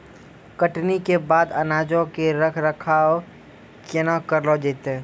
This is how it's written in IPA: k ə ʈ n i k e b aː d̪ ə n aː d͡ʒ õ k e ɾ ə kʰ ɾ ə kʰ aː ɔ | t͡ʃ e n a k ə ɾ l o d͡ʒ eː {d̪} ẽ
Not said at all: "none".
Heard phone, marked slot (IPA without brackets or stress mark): t̪